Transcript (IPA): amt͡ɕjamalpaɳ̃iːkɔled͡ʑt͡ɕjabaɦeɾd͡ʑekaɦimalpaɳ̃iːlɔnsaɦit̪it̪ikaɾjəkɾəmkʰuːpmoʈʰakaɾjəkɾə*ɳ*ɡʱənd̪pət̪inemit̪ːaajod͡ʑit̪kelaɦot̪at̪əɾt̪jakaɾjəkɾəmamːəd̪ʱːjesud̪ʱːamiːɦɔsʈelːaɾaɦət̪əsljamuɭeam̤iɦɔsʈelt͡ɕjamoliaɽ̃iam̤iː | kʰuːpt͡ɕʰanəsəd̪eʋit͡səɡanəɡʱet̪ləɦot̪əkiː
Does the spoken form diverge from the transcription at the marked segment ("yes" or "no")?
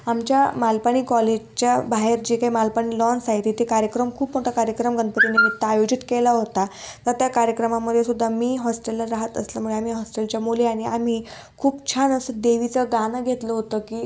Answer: yes